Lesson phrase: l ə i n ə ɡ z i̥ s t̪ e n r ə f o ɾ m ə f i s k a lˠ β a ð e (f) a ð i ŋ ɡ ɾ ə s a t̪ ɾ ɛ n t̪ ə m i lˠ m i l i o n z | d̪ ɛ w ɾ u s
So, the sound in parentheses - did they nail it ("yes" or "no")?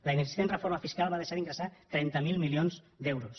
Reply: no